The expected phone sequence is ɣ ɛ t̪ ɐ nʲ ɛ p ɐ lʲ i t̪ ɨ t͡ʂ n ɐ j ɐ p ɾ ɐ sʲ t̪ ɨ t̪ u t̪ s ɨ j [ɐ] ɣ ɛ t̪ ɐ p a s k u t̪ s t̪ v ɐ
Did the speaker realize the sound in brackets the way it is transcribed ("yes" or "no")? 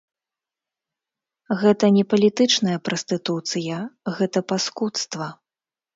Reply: yes